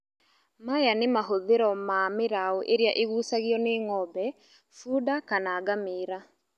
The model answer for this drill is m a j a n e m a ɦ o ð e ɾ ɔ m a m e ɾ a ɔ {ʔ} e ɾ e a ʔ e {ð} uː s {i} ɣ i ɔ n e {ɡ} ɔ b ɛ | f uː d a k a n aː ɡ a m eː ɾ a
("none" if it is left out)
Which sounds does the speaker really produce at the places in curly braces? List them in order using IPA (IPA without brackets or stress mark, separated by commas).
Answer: ʔ, ɣ, a, ŋ